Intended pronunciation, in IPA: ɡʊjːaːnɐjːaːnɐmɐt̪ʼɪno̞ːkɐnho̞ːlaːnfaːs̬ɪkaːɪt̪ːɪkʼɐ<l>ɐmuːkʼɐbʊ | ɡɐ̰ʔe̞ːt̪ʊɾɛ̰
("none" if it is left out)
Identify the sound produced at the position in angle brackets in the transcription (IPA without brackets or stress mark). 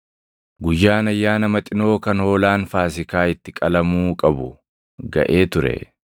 l